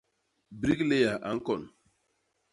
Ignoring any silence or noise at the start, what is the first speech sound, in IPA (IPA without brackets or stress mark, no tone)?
b